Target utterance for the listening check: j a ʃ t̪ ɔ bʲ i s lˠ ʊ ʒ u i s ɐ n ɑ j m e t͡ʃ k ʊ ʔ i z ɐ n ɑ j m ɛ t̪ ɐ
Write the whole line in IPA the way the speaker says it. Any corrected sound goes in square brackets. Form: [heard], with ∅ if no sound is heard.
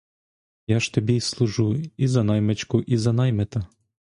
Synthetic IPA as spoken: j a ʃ t̪ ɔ bʲ i s lˠ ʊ ʒ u i [z] ɐ n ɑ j m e t͡ʃ k ʊ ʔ i z ɐ n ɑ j m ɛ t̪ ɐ